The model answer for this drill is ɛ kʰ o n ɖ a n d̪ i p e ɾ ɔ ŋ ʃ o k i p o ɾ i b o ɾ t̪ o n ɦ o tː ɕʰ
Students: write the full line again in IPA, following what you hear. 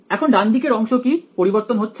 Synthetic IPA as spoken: ɛ kʰ o n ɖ a n d̪ i k e ɾ ɔ ŋ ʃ o k i p o ɾ i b o ɾ t̪ o n ɦ o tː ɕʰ